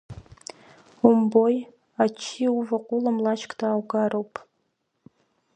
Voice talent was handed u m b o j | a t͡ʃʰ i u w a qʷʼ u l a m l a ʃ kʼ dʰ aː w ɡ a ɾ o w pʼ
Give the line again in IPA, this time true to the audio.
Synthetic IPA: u m b o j | a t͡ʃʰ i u v a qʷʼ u l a m l a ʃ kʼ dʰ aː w ɡ a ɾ o w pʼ

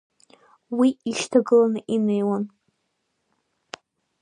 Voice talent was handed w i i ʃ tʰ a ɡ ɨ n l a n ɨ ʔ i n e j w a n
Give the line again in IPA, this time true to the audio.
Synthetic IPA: w i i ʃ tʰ a ɡ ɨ l a n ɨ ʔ i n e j w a n

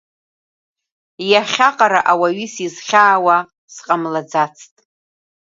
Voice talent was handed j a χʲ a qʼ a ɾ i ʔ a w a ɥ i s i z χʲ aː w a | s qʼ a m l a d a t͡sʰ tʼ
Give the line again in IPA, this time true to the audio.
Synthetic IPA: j a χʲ a qʼ a ɾ a ʔ a w a ɥ i s i z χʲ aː w a | s qʼ a m l a d͡z a t͡sʰ tʼ

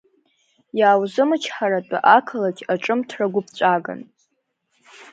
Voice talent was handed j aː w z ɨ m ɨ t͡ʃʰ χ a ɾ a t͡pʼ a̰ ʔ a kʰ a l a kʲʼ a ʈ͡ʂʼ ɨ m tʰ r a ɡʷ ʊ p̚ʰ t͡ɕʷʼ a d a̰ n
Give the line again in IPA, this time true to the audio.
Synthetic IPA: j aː w z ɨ m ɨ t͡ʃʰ ħ a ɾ a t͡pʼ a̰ ʔ a kʰ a l a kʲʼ a ʈ͡ʂʼ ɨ m tʰ r a ɡʷ ʊ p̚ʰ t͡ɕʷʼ a ɡ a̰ n

